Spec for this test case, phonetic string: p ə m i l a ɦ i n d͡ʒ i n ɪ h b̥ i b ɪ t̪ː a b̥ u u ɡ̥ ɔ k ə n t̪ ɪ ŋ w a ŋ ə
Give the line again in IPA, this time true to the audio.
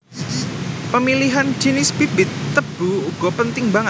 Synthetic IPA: p ə m i l i ɦ a n d͡ʒ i n ɪ s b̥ i b ɪ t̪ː ə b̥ u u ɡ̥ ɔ p ə n t̪ ɪ ŋ b a ŋ ə

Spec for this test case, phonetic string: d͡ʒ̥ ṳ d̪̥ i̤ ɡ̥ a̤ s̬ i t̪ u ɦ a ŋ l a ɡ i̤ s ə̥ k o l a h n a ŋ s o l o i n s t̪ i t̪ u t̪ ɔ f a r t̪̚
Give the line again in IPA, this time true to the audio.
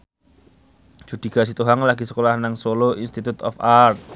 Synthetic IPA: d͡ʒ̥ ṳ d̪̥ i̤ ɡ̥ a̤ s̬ i t̪ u ɦ a ŋ l a ɡ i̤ s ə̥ k o l a h n a ŋ s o l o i n s t̪ i t̪ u t̪ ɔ f a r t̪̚

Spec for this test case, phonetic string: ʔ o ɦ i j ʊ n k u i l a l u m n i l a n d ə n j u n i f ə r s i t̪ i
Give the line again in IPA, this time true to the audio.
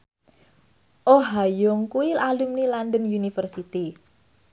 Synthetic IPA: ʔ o ɦ a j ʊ ŋ k u i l a l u m n i l a n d ə n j u n i f ə r s i t̪ i

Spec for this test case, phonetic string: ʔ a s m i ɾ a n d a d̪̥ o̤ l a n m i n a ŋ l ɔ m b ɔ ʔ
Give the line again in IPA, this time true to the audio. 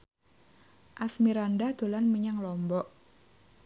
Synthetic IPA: ʔ a s m i ɾ a n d a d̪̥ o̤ l a n m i ɲ a ŋ l ɔ m b ɔ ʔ

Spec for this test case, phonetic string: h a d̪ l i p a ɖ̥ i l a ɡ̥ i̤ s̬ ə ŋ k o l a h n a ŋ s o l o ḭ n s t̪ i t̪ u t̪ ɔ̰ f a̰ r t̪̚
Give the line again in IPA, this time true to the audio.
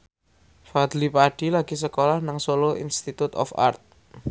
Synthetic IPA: f a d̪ l i p a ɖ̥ i l a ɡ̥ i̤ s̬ ə k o l a h n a ŋ s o l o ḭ n s t̪ i t̪ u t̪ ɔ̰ f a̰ r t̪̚

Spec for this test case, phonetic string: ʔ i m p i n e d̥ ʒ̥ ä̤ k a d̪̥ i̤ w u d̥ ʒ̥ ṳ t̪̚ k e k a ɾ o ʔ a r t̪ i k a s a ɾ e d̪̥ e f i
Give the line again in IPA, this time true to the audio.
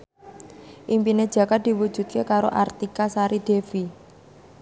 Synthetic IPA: ʔ i m p i n e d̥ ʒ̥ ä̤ k a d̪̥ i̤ w u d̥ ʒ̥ ṳ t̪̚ k e k a ɾ o ʔ a r t̪ i k a s a ɾ i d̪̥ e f i

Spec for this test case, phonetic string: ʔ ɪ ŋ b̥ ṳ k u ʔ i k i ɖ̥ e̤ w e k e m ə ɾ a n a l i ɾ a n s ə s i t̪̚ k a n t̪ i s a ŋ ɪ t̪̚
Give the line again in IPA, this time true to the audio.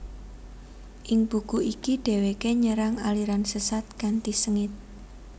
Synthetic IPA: ʔ ɪ ŋ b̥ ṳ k u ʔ i k i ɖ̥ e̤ w e k e ɲ ə ɾ a ŋ a l i ɾ a n s ə s a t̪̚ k a n t̪ i s ə ŋ ɪ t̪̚

